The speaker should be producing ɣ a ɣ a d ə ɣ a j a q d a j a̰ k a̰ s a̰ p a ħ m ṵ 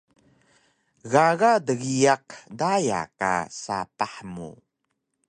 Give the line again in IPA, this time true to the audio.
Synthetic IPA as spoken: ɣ a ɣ a d ə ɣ i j a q d a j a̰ k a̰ s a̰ p a ħ m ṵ